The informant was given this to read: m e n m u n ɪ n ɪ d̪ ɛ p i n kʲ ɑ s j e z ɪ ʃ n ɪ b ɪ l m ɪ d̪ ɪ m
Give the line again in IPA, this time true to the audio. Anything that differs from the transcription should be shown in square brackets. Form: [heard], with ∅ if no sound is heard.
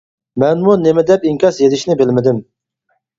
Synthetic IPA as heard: m [ɛ] n m u n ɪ [m] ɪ d̪ ɛ p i [ŋ] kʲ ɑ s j e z ɪ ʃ n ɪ b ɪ l m ɪ d̪ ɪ m